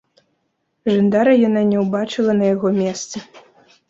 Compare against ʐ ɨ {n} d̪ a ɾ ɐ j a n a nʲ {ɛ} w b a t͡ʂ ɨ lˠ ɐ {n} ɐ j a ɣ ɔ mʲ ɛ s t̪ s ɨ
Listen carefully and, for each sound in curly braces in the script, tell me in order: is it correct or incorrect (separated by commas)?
correct, correct, correct